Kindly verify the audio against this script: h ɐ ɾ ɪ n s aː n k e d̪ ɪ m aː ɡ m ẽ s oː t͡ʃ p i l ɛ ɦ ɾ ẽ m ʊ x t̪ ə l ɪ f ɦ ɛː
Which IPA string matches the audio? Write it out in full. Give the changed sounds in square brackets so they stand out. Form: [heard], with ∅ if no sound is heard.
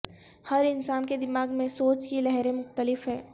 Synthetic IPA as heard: h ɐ ɾ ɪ n s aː n k e d̪ ɪ m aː ɡ m ẽ s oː t͡ʃ [k] i l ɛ ɦ ɾ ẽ m ʊ x t̪ ə l ɪ f ɦ ɛː